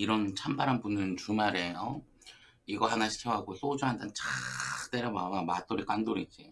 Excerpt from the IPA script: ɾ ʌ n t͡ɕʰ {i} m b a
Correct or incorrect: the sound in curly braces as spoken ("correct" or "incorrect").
incorrect